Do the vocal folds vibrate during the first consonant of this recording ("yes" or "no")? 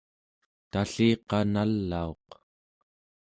no